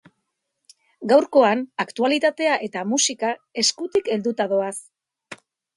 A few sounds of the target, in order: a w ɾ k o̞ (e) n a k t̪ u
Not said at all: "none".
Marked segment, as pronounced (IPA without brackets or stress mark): a